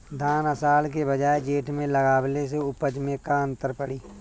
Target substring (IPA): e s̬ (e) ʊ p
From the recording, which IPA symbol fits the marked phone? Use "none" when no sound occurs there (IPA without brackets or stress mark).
e